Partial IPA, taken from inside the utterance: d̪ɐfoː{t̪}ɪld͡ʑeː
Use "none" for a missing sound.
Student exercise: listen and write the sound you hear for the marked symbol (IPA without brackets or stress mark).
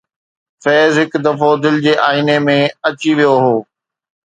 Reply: d̪